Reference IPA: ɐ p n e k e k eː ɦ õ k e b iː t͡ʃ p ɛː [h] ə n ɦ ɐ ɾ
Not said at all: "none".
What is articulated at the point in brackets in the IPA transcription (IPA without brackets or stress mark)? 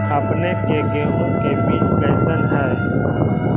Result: s